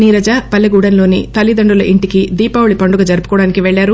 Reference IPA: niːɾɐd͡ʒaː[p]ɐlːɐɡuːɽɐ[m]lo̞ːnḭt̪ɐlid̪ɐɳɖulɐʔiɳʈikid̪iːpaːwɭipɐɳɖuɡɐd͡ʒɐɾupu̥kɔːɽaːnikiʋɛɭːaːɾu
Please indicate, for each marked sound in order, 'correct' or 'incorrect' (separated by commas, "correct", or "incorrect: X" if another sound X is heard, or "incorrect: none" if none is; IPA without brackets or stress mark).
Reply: correct, incorrect: n